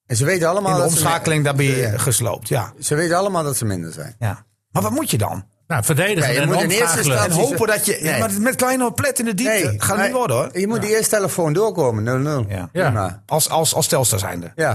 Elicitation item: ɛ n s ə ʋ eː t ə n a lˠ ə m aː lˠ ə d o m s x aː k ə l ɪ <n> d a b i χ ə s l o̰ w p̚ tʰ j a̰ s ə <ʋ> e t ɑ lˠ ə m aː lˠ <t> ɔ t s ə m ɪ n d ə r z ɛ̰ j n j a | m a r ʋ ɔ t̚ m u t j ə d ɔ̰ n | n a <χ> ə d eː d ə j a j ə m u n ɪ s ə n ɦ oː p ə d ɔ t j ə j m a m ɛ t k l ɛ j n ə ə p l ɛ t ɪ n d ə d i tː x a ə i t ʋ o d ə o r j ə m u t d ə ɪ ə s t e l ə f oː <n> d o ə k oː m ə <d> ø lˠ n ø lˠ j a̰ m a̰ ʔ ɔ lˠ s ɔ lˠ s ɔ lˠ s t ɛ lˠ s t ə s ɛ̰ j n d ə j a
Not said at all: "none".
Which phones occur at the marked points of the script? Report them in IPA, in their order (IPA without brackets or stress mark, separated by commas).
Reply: ŋ, ʋ, d, f, n, n